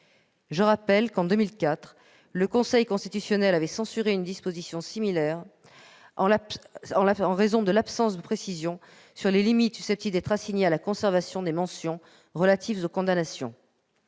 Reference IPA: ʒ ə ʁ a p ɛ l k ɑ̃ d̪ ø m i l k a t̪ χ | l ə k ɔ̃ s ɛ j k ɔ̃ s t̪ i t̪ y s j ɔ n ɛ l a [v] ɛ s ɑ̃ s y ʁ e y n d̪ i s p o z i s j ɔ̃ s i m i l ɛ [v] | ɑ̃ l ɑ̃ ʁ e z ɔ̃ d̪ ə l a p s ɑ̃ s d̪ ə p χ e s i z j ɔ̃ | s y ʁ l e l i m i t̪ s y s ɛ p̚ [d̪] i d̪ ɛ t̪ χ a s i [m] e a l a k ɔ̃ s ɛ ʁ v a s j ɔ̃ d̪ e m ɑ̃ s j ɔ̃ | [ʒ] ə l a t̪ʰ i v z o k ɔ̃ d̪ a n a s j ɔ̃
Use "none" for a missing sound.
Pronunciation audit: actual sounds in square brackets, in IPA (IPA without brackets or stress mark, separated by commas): v, ʁ, t̪, ɲ, ʁ